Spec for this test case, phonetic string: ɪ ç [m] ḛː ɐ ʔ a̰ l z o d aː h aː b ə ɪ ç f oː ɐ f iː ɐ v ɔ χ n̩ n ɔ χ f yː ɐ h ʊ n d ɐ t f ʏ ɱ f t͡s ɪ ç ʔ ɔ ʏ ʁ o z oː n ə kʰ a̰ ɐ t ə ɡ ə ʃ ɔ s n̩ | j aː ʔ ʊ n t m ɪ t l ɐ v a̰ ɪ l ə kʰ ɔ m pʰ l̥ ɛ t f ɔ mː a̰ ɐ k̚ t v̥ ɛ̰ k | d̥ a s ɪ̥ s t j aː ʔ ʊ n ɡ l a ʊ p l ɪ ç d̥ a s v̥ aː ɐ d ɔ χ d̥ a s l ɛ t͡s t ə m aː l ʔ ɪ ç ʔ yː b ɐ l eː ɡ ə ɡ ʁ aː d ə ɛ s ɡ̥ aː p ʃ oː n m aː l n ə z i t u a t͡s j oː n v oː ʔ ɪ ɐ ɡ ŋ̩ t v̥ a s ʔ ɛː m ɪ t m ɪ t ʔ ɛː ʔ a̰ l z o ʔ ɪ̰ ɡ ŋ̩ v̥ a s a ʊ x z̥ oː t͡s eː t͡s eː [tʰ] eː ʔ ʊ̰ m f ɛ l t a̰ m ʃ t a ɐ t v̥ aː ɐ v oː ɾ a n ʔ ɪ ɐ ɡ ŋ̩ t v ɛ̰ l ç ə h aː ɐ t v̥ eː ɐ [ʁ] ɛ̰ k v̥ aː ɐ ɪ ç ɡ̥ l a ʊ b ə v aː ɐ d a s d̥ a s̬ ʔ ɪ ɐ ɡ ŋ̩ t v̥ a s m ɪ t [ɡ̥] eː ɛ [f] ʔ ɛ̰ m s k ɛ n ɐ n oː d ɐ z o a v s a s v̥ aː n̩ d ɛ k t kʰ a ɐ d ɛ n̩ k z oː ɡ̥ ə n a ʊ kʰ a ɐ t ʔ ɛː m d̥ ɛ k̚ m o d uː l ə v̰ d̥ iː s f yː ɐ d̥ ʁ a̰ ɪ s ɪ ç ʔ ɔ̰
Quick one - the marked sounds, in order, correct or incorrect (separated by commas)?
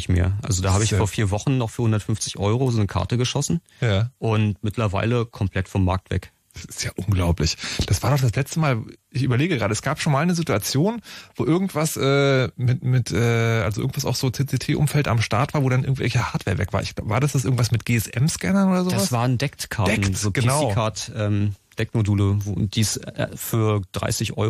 correct, correct, incorrect, correct, incorrect